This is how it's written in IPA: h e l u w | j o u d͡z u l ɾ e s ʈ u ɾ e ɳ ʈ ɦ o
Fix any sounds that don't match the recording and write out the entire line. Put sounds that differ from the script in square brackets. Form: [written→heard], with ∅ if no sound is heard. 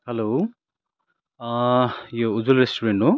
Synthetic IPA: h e l [u→o] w | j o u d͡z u l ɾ e s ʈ u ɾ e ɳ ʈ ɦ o